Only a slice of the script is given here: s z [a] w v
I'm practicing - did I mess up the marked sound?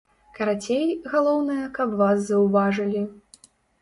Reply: yes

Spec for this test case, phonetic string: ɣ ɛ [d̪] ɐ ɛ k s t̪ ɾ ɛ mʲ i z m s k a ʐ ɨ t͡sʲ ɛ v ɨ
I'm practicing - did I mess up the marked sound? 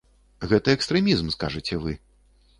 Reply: yes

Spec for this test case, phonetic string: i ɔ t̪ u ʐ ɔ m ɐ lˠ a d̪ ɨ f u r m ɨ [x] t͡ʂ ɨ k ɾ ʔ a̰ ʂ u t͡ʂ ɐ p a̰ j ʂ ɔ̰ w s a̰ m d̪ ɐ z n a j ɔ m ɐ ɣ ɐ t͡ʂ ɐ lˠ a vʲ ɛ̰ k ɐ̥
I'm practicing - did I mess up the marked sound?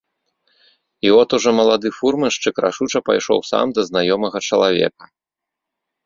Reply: yes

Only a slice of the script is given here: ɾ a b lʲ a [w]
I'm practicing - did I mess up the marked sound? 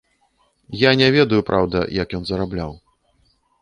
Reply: no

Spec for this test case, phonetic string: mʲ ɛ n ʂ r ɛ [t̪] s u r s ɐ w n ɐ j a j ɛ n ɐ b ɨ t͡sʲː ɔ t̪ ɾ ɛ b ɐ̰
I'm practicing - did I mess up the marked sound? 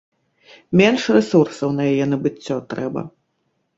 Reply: yes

